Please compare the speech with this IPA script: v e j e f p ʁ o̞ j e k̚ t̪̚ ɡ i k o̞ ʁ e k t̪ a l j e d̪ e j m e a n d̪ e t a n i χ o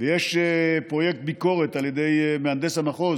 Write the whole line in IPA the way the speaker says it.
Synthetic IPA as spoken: v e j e ʃ p ʁ o̞ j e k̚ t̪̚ b i k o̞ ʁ e t̪ a l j e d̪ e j m e a n d̪ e s a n a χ o